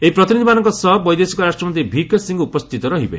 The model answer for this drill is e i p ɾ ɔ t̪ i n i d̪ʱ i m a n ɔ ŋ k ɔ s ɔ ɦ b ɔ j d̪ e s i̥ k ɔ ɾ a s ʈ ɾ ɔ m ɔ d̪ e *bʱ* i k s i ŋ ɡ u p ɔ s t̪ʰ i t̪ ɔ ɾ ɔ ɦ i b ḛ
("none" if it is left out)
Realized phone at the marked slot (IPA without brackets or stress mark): bʱ